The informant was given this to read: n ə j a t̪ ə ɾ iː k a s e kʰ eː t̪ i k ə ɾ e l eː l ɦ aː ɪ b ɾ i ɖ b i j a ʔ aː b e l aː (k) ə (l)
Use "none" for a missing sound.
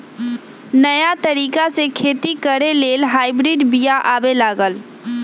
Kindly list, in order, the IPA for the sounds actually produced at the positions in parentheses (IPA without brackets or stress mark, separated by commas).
ɡ, l